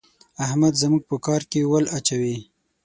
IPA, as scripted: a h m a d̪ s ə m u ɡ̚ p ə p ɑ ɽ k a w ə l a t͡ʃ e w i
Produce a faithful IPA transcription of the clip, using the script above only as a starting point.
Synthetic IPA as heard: a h m a d̪ z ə m u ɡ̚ p ə k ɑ ɾ k e w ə l a t͡ʃ a w i

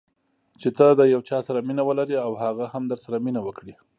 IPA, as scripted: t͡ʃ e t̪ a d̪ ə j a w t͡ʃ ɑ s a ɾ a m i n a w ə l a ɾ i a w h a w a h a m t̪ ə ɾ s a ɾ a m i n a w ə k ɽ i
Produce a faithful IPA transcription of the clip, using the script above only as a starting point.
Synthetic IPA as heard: t͡ʃ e t̪ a d̪ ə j a w t͡ʃ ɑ s a ɾ a m i n a w ə l a ɾ i a w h a ɣ a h a m d̪ ə ɾ s a ɾ a m i n a w ə k ɽ i

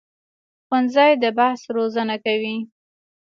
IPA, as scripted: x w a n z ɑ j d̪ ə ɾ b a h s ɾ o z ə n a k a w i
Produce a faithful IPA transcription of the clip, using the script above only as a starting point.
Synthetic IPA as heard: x w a n z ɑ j d̪ ə b a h s ɾ o z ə n a k a w i

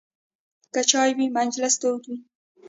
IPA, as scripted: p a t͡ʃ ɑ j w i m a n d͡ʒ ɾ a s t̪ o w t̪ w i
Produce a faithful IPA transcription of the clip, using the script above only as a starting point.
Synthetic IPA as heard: k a t͡ʃ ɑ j w i m a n d͡ʒ l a s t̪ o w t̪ w i

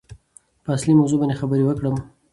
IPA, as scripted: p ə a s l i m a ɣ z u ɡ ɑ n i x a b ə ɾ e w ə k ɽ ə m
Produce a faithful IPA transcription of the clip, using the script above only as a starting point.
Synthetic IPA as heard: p ə a s l i m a w z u b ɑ n e x a b ə ɾ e w ə k ɽ ə m

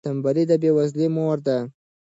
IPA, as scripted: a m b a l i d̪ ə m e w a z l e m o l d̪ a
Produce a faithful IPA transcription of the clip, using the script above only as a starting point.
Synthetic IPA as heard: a m b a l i d̪ ə b e w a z l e m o ɾ d̪ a

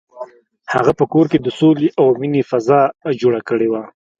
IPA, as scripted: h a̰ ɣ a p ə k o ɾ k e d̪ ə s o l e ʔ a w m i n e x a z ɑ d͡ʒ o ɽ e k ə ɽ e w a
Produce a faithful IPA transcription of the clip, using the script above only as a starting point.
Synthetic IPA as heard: h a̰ ɣ a p ə k o ɾ k e d̪ ə s o l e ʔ a w m i n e f a z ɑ d͡ʒ o ɽ a k ə ɽ e w a

